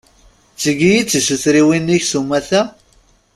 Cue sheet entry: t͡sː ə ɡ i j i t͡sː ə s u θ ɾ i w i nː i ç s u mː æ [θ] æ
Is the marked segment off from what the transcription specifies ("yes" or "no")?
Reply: no